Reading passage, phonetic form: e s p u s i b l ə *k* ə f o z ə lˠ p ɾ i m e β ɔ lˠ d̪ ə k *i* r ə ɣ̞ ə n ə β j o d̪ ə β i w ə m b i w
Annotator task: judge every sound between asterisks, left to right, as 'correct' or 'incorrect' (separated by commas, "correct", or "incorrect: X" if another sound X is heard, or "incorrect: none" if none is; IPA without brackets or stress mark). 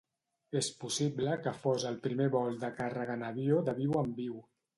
correct, incorrect: a